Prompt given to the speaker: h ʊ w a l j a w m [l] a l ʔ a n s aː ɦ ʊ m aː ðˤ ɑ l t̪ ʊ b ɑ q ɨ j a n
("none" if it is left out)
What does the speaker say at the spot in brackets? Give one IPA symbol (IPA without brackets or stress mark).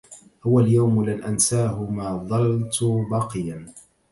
l